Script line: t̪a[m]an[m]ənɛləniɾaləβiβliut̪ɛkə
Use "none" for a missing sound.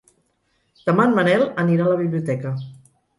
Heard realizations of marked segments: m, m

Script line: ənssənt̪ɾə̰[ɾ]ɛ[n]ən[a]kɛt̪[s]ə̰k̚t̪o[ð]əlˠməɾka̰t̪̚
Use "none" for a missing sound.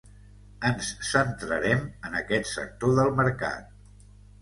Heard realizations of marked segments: ɾ, m, ə, s, ð

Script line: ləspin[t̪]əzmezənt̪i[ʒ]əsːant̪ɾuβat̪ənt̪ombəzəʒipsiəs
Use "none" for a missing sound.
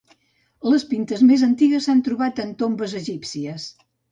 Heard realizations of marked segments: t̪, ɣ

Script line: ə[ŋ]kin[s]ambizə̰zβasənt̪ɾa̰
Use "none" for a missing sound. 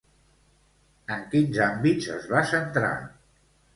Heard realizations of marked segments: ŋ, z

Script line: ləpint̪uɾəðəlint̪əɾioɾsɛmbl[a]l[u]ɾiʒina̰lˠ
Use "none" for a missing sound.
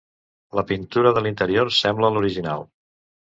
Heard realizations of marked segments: ə, u

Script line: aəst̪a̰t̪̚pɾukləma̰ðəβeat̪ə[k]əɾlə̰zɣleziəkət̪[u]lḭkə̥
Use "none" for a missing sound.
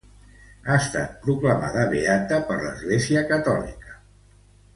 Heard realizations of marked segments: p, ɔ

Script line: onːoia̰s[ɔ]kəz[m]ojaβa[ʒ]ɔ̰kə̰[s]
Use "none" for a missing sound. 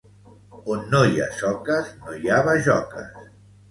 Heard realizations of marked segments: ɔ, n, ʒ, s

